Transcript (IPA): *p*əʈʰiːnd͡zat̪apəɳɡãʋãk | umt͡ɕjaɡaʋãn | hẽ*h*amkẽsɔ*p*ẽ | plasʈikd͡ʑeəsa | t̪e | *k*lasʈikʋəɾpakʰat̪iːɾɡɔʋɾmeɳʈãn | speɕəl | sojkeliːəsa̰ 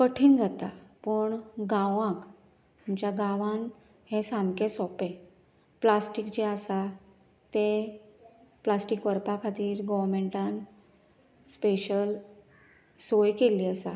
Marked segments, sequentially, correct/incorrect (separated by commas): incorrect, incorrect, correct, incorrect